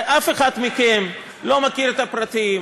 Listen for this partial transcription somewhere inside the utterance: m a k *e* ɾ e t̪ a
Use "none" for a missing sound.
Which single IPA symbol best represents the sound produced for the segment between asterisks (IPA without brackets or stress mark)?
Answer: i